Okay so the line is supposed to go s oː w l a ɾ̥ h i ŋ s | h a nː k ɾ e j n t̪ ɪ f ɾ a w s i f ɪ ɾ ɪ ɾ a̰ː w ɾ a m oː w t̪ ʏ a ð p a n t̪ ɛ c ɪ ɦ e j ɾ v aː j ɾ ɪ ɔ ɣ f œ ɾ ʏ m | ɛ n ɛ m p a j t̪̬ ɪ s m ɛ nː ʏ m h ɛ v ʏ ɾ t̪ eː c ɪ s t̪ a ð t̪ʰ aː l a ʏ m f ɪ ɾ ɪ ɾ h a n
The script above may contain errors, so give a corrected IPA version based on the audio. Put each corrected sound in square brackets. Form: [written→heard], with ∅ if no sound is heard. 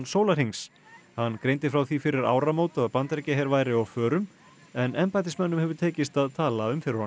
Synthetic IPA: s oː w l a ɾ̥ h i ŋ s | h a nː k ɾ e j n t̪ ɪ f ɾ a w [s→θ] i f ɪ ɾ ɪ ɾ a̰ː w ɾ a m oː w t̪ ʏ a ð p a n t̪ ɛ c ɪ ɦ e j ɾ v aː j ɾ ɪ ɔ ɣ f [œ→œː] ɾ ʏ m | ɛ n ɛ m p a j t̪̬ ɪ s m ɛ nː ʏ m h ɛ v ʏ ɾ [t̪→t̪ʰ] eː c ɪ s t̪ a ð t̪ʰ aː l a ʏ m f ɪ ɾ ɪ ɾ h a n